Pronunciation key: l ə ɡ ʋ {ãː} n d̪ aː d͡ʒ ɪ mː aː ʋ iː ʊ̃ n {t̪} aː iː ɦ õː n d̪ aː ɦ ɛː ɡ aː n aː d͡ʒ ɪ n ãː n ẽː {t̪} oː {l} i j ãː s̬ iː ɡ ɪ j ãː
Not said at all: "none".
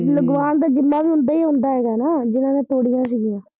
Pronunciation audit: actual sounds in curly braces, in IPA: aː, d̪, t̪, ɽ

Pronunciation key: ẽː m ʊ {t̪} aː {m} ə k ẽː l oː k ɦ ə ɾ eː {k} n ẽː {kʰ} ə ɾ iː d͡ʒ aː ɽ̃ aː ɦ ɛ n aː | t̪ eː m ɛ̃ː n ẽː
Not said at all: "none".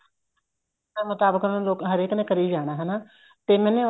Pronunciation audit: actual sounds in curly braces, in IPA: t̪, b, k, k

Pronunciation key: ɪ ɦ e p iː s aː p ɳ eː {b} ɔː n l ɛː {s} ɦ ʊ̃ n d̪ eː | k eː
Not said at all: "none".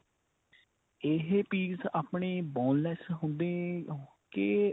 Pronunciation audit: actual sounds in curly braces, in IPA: b, s

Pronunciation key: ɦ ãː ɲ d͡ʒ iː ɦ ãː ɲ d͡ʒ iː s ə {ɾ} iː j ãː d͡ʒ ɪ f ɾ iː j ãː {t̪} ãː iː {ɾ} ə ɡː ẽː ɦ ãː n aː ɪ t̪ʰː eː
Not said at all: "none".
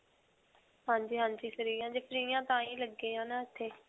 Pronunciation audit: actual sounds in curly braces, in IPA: ɾ, t̪, l

